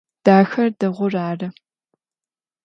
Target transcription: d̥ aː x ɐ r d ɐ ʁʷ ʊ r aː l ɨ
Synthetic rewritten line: d̥ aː x ɐ r d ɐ ʁʷ ʊ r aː r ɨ